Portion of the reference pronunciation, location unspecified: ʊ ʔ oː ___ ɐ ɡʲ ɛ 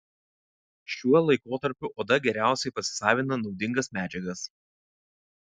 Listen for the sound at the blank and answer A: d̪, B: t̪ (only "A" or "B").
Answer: A